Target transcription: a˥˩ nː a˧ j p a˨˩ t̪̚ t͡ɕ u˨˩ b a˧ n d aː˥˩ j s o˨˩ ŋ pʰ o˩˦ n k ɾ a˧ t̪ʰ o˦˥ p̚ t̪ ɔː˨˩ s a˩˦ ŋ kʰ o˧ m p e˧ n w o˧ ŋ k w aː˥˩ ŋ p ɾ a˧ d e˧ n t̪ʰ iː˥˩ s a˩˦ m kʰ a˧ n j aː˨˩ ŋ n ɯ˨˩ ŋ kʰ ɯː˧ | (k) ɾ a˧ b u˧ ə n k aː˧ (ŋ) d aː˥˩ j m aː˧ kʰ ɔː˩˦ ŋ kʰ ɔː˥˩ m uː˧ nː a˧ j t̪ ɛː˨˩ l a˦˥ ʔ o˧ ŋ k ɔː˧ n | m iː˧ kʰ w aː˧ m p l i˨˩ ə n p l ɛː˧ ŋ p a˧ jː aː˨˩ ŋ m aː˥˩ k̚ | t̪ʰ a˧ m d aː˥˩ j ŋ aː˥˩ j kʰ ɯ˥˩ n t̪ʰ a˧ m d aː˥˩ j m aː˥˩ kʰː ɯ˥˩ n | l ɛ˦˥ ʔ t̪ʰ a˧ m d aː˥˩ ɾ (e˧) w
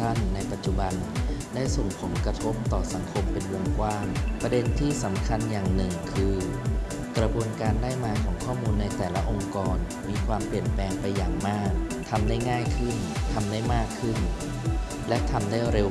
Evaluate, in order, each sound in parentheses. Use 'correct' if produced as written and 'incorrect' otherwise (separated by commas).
correct, incorrect, correct